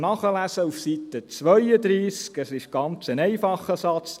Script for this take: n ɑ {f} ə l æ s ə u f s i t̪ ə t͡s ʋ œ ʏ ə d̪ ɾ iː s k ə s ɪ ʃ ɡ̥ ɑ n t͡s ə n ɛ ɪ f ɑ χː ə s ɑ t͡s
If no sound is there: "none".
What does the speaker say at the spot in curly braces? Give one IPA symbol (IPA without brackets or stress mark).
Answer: χ